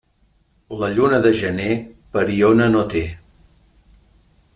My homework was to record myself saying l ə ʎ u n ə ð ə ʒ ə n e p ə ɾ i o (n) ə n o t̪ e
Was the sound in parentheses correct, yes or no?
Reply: yes